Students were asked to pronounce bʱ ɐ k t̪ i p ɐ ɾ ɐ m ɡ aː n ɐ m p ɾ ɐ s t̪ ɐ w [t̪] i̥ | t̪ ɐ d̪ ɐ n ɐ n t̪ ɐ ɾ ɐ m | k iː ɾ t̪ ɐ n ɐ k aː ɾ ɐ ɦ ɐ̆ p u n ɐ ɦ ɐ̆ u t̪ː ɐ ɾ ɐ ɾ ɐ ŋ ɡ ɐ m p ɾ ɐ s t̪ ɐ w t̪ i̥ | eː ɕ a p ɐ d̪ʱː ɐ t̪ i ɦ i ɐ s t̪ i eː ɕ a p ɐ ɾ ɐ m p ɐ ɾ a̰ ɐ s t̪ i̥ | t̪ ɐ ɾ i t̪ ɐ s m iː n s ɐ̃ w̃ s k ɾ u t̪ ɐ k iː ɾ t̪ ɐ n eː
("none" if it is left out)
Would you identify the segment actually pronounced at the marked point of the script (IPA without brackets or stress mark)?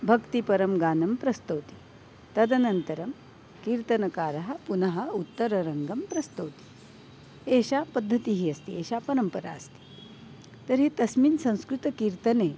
t̪